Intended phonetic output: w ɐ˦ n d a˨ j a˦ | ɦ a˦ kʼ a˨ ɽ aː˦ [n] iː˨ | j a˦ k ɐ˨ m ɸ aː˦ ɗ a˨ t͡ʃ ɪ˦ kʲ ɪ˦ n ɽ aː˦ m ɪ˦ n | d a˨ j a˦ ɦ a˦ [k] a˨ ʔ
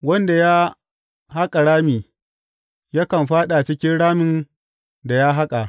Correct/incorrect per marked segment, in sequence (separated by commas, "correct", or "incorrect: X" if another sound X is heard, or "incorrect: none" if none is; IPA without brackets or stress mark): incorrect: m, incorrect: kʼ